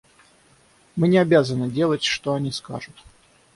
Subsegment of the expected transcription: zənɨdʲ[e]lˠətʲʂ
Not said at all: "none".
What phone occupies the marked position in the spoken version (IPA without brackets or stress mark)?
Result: e